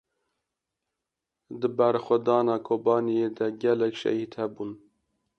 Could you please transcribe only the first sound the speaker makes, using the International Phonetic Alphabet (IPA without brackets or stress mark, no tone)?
d̪